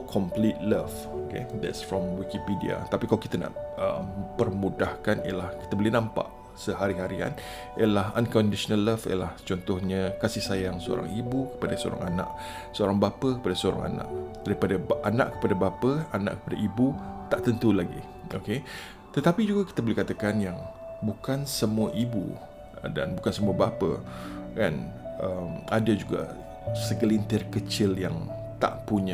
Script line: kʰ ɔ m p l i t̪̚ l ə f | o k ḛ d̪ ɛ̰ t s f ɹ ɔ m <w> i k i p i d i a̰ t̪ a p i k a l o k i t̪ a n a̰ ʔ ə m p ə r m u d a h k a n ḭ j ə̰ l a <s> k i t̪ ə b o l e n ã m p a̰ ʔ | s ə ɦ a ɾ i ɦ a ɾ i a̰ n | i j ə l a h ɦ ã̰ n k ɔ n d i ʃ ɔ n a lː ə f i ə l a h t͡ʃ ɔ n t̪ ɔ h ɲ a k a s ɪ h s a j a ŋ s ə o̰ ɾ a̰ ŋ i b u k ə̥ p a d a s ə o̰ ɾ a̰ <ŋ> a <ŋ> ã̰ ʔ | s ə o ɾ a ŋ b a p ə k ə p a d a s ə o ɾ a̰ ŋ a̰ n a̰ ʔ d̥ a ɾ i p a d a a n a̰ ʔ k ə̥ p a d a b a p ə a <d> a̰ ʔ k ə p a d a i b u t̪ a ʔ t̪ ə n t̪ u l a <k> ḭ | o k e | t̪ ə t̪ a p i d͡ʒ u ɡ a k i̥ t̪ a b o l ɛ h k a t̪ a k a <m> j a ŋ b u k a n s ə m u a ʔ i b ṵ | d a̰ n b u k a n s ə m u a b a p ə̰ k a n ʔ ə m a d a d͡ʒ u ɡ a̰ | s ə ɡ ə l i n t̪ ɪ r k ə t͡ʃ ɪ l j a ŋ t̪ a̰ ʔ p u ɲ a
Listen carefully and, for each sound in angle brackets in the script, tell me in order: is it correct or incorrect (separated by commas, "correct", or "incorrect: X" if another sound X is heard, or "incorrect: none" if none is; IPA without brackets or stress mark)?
correct, incorrect: h, correct, incorrect: n, incorrect: n, incorrect: ɡ, incorrect: n